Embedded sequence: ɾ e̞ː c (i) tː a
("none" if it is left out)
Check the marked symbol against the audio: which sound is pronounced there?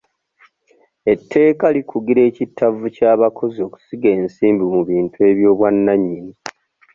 i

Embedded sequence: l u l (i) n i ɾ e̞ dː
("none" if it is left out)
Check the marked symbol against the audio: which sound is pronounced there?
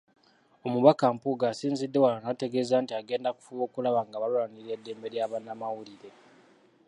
a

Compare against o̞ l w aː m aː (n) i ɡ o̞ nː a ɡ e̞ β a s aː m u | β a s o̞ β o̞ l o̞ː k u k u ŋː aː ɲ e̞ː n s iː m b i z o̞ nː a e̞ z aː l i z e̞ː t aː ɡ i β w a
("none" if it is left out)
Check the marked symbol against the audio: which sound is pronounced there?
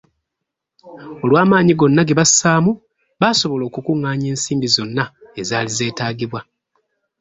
ɲ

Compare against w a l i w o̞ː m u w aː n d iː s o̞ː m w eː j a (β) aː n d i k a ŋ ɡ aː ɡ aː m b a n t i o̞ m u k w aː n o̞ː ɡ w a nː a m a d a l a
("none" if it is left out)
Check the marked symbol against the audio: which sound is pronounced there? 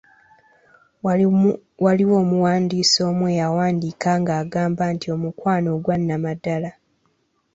w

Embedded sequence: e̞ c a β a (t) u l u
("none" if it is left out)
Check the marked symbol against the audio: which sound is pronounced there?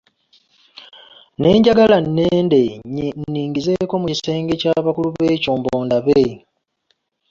k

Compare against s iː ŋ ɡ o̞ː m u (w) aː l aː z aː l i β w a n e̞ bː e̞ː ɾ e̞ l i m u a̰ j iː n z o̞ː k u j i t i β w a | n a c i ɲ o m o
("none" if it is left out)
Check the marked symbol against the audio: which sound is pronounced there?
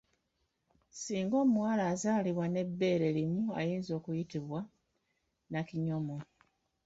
w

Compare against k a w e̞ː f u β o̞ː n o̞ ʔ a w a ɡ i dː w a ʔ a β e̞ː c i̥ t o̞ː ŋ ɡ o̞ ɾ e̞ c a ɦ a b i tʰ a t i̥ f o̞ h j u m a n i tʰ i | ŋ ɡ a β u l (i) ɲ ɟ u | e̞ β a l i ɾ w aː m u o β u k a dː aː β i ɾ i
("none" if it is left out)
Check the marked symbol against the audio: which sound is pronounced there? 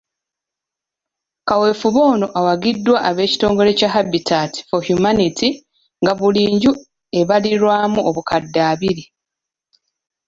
iː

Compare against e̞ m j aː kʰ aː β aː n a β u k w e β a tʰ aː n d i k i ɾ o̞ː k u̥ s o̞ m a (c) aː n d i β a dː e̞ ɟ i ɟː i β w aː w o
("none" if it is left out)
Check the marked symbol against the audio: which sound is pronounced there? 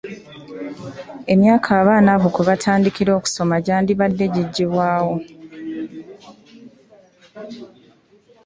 ɟ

